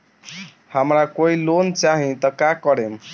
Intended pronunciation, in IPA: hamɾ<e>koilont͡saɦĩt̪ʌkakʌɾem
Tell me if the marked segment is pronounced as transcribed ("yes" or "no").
no